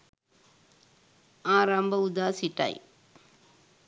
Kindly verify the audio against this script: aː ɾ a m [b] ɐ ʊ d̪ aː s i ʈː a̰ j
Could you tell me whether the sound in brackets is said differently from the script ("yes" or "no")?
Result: no